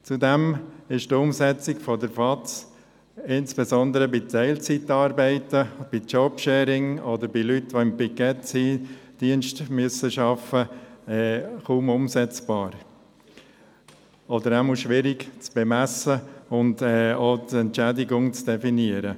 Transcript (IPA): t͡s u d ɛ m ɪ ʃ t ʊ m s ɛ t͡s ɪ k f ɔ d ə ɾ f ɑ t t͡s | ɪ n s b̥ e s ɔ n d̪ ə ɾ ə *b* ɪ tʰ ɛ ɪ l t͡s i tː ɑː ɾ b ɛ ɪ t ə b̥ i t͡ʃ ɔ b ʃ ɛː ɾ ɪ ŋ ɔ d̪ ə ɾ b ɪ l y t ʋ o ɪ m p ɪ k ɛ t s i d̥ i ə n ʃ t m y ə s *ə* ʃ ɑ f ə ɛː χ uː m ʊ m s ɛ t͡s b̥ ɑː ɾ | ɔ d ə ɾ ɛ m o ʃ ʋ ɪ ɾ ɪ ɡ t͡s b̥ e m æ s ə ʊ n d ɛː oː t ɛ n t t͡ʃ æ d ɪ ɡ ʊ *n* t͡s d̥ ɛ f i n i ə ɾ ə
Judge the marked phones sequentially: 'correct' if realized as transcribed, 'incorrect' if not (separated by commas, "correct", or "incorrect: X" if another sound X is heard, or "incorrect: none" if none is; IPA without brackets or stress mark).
correct, correct, incorrect: ŋ